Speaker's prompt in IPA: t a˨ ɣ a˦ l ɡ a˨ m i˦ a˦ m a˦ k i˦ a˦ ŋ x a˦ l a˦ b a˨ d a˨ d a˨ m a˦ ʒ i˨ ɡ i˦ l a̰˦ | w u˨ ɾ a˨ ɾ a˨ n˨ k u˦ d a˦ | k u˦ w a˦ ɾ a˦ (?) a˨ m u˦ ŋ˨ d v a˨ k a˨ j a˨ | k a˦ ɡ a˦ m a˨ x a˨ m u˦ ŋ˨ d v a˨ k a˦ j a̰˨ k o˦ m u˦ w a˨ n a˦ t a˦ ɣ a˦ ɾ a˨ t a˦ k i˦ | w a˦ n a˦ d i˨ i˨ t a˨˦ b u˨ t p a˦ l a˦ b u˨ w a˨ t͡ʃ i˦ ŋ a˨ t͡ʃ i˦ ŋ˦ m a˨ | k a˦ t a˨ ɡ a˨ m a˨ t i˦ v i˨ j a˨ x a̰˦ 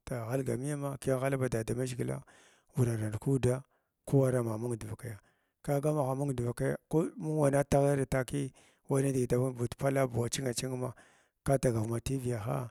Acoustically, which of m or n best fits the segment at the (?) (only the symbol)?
m